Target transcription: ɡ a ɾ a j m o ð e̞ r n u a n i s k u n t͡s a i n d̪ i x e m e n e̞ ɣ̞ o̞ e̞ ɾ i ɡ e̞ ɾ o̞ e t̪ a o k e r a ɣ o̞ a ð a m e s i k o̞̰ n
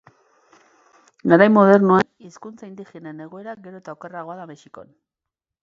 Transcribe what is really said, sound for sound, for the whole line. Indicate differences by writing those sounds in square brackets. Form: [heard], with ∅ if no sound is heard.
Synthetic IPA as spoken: ɡ a ɾ a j m o ð e̞ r n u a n i s k u n t͡s a i n d̪ i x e [n] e n e̞ ɣ̞ o̞ e̞ ɾ [a] ɡ e̞ ɾ o̞ e t̪ a o k e r a ɣ o̞ a ð a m e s i k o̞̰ n